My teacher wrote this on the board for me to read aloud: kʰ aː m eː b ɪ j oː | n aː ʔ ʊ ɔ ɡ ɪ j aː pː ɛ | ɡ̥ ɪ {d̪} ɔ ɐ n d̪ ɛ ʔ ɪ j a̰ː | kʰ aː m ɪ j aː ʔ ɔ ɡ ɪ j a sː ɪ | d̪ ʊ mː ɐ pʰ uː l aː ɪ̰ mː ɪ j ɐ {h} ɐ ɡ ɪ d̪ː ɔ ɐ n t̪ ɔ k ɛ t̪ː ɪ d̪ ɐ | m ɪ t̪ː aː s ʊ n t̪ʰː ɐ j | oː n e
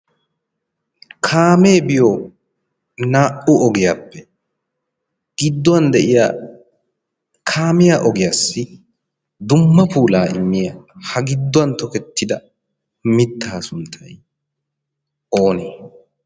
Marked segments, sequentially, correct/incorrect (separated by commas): incorrect, correct